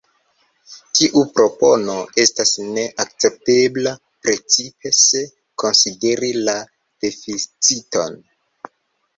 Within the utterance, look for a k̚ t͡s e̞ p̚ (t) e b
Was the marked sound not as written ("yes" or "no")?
no